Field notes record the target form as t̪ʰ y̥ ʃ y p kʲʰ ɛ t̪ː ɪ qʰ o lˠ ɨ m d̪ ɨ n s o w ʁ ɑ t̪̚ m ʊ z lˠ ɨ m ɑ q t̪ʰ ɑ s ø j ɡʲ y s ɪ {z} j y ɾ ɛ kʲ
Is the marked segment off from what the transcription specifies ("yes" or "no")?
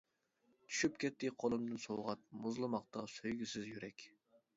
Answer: no